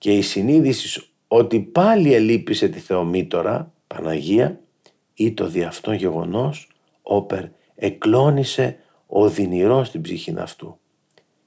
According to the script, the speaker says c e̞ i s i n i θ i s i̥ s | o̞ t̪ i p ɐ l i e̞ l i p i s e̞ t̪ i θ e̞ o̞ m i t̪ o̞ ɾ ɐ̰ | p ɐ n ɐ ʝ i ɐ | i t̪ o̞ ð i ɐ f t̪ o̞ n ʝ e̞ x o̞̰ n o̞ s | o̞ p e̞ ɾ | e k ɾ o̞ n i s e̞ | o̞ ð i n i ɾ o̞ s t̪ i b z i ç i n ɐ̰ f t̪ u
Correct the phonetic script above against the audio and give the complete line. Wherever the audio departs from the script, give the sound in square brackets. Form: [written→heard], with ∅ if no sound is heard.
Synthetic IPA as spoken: c e̞ i s i n i [θ→ð] i s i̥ s | o̞ t̪ i p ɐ l i e̞ l i p i s e̞ t̪ i θ e̞ o̞ m i t̪ o̞ ɾ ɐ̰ | p ɐ n ɐ ʝ i ɐ | i t̪ o̞ ð i ɐ f t̪ o̞ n ʝ e̞ [x→ɣ] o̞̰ n o̞ s | o̞ p e̞ ɾ | e k [ɾ→l] o̞ n i s e̞ | o̞ ð i n i ɾ o̞ s t̪ i b z i ç i n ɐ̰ f t̪ u